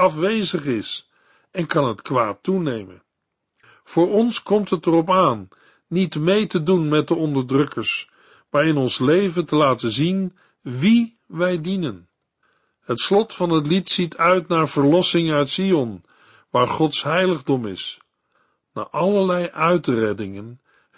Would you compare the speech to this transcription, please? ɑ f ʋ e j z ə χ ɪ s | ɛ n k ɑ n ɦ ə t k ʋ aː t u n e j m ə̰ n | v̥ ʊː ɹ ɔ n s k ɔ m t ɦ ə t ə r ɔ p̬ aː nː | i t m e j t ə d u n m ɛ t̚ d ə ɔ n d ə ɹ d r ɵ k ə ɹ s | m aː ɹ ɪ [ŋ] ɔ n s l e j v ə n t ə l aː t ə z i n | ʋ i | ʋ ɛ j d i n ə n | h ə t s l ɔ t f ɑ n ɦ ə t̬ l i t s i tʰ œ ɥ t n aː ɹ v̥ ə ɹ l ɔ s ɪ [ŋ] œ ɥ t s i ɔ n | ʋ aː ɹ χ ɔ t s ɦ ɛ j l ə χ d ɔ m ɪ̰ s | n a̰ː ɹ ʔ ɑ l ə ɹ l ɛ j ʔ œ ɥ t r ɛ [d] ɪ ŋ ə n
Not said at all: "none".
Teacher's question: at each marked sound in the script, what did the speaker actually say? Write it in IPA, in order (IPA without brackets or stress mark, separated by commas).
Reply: n, ŋ, d